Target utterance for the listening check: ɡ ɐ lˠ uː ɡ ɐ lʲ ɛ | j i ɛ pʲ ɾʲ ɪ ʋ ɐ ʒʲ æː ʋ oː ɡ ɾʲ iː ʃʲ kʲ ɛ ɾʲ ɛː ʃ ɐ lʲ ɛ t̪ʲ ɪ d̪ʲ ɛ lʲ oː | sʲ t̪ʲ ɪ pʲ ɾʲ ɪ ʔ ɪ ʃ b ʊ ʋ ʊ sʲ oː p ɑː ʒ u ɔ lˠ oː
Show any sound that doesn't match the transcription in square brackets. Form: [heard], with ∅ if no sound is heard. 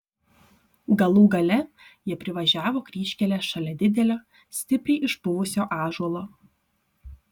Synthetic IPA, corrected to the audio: ɡ ɐ lˠ uː ɡ ɐ lʲ ɛ | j i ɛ pʲ ɾʲ ɪ ʋ ɐ ʒʲ æː ʋ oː [k] ɾʲ iː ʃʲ kʲ ɛ [lʲ] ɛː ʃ ɐ lʲ ɛ [d̪ʲ] ɪ d̪ʲ ɛ lʲ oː | sʲ t̪ʲ ɪ pʲ ɾʲ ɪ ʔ ɪ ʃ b ʊ ʋ ʊ sʲ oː [ʔ] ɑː ʒ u ɔ lˠ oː